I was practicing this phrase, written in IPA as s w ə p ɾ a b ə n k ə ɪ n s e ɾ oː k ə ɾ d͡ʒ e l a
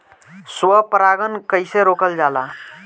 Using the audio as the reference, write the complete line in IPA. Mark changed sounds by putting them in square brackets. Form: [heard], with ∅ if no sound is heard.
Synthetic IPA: s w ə p ɾ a [ɡ] ə n k ə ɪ [∅] s e ɾ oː k ə [l] d͡ʒ [a] l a